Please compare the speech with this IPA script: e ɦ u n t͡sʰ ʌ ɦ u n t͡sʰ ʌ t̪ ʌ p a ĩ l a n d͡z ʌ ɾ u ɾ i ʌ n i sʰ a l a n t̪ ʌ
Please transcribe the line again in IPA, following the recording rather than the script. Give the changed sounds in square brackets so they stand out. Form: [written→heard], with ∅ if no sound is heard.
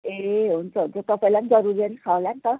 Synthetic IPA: e ɦ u n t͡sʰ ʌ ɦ u n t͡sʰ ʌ t̪ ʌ p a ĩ l a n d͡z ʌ ɾ u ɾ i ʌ n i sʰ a l a n t̪ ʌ